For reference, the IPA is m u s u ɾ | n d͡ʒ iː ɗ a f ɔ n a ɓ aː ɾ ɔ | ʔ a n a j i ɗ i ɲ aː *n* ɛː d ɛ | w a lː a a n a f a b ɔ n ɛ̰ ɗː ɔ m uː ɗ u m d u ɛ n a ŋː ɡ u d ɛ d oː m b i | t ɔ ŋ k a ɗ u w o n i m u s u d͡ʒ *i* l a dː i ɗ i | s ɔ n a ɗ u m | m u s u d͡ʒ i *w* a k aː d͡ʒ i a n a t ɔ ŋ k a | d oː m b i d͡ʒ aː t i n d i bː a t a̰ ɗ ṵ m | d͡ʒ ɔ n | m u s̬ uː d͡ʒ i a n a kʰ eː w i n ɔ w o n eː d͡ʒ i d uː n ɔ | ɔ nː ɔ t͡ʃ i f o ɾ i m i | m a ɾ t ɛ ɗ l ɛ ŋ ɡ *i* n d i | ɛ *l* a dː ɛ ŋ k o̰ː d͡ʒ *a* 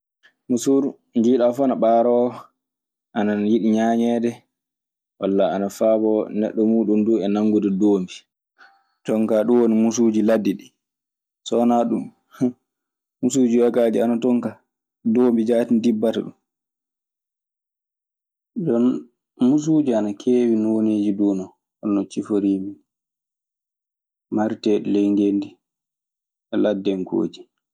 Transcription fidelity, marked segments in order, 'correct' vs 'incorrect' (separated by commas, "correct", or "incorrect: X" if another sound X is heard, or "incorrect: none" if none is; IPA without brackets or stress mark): incorrect: ɲ, correct, correct, incorrect: e, correct, incorrect: i